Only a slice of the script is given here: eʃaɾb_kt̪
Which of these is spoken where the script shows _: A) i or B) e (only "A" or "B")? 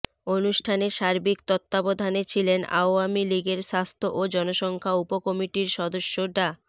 A